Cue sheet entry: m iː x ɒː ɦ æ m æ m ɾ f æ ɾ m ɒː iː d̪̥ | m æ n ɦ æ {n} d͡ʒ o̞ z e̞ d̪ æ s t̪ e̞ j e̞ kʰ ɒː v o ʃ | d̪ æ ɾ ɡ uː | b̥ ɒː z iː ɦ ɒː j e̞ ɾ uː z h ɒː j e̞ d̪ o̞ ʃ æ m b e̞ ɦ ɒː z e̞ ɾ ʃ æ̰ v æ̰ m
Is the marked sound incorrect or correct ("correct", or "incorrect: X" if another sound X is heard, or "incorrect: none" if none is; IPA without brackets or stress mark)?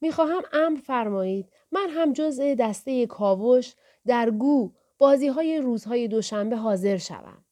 incorrect: m